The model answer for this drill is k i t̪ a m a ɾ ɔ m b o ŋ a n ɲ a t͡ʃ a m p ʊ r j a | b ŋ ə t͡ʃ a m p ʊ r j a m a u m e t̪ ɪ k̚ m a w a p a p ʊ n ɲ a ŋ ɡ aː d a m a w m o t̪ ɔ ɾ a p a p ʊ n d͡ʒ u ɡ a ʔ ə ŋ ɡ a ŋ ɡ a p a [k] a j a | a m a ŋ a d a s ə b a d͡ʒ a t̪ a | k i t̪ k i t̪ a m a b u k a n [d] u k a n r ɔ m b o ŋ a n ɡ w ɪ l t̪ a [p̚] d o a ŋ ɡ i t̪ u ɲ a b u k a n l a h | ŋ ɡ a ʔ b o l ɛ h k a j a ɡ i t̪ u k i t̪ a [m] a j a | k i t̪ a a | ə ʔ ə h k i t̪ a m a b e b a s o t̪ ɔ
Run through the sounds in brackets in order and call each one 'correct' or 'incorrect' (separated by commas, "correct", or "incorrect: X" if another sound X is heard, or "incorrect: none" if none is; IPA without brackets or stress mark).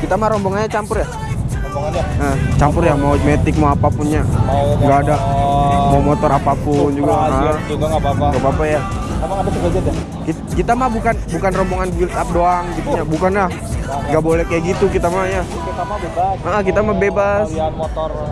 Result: incorrect: p, incorrect: b, correct, correct